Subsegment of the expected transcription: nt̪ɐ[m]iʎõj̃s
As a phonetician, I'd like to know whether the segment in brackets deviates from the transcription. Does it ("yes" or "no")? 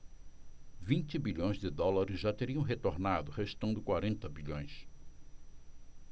yes